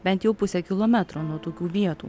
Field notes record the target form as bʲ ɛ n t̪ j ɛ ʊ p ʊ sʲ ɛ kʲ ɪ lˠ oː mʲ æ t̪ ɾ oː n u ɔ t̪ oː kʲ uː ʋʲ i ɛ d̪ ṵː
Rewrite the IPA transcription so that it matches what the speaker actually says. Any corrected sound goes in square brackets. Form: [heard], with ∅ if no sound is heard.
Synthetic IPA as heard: bʲ ɛ n t̪ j ɛ ʊ p ʊ sʲ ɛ kʲ ɪ lˠ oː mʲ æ t̪ ɾ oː n u ɔ t̪ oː kʲ uː ʋʲ i ɛ [t̪] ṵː